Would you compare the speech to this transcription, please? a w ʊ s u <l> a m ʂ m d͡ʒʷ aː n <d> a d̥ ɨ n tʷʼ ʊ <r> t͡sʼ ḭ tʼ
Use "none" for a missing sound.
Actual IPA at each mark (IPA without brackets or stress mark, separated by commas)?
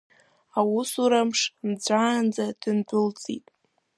ɾ, d͡z, l